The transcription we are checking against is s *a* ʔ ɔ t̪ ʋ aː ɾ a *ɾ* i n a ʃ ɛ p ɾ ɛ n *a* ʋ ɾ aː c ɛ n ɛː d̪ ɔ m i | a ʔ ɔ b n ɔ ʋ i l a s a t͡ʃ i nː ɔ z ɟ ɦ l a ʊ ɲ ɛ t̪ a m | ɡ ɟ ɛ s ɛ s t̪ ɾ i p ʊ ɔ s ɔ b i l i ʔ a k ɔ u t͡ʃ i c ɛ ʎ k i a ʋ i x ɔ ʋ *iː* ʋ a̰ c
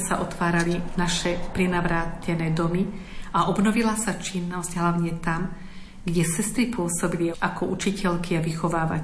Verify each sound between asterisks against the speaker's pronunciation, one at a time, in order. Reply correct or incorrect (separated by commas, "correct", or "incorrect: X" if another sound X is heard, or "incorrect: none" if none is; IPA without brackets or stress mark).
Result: correct, incorrect: l, correct, incorrect: aː